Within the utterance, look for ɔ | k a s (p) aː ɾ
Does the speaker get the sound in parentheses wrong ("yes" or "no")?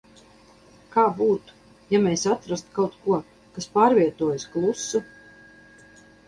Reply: no